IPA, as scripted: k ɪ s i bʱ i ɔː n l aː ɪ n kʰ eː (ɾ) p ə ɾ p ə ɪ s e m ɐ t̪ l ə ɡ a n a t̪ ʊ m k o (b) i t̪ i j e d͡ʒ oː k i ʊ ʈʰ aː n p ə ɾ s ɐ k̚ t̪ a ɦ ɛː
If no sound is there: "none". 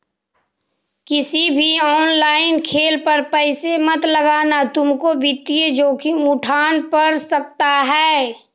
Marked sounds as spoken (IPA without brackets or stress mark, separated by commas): l, b